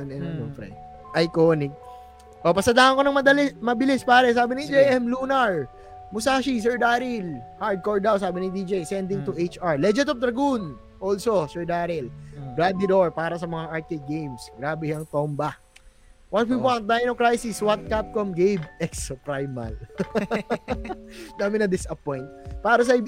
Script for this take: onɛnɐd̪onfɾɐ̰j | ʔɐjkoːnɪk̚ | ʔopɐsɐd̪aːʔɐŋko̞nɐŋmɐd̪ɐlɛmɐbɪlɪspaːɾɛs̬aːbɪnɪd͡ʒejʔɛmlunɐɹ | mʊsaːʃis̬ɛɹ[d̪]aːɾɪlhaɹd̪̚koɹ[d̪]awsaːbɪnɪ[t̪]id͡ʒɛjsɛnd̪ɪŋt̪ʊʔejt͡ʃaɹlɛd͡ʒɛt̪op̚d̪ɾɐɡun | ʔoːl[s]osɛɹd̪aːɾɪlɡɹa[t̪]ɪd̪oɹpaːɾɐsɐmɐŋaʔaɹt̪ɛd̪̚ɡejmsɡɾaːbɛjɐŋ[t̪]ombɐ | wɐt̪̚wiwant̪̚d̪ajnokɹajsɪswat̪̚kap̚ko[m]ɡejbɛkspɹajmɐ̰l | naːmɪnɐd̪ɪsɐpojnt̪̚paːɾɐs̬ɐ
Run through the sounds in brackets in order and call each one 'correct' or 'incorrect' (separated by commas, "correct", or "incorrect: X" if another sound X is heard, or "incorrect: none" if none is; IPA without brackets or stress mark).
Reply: correct, correct, incorrect: d̪, correct, incorrect: d̪, correct, correct